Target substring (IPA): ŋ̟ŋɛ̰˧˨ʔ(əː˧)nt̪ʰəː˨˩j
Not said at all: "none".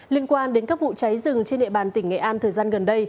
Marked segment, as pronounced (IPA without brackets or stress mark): aː˧